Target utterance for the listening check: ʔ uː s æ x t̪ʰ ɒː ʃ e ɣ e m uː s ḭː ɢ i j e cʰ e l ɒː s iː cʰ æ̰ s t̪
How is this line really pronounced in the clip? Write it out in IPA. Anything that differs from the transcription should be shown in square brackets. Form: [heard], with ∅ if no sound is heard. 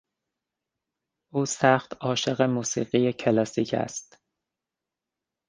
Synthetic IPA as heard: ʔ uː s æ x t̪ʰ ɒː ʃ e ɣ e m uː s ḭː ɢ i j e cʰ e l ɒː s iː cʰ æ̰ s t̪